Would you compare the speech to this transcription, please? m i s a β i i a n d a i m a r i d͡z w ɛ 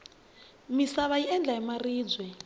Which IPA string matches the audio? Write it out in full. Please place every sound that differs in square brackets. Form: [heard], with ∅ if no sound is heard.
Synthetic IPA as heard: m i s a β [a] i [ɛ] n [d͡ɮ] a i m a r [iː] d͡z w ɛ